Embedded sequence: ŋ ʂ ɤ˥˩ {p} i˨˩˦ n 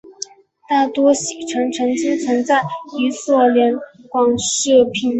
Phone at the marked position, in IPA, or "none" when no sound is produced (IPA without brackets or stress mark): pʰ